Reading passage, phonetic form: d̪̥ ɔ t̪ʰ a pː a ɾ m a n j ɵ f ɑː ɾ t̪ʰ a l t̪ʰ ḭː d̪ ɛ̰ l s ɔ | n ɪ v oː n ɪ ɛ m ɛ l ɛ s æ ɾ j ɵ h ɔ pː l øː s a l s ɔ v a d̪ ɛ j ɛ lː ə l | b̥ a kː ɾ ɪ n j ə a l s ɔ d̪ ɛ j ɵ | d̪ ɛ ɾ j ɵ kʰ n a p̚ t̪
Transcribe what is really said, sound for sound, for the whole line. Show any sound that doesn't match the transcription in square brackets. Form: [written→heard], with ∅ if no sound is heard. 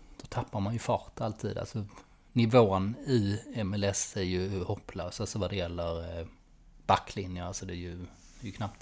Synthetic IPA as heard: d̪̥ ɔ t̪ʰ a pː a ɾ m a n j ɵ f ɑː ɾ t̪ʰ a l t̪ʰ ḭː d̪ [ɛ̰→a̰] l s ɔ | n ɪ v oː n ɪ ɛ m ɛ l ɛ s æ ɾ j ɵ h ɔ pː l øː s a l s ɔ v a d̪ ɛ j ɛ lː ə [l→ɾ] | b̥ a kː [ɾ→l] ɪ n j ə a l s ɔ d̪ ɛ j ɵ | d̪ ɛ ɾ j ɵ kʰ n a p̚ t̪